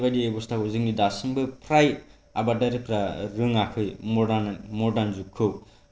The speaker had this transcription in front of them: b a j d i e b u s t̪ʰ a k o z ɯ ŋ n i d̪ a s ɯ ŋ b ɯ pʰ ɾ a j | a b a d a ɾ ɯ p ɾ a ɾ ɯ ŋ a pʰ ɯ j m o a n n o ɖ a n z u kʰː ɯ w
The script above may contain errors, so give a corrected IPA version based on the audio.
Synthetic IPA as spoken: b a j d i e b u s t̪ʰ a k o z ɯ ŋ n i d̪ a s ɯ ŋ b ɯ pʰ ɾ a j | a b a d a ɾ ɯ p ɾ a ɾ ɯ ŋ a kʰ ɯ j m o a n m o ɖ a n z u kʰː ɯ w